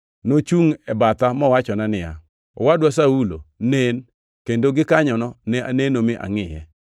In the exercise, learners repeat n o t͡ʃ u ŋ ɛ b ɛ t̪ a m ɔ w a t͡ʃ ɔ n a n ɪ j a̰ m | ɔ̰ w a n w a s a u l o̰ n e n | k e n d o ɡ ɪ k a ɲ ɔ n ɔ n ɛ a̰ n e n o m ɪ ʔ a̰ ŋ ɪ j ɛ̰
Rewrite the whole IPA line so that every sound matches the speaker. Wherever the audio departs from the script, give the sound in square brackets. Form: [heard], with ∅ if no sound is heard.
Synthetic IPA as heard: n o t͡ʃ u ŋ ɛ b [a] t̪ a m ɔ w a t͡ʃ ɔ n a n ɪ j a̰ [∅] | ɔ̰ w a [d] w a s a u l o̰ n e n | k e n d o ɡ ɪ k a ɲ ɔ n ɔ n ɛ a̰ n e n o m ɪ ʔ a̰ ŋ ɪ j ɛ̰